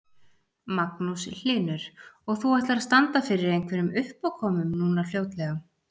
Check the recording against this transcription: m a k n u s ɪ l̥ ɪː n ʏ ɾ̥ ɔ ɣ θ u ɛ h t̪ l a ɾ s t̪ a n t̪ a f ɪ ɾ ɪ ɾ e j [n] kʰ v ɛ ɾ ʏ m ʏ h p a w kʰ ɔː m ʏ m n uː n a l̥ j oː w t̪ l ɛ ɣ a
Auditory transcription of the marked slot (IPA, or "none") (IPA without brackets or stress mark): ŋ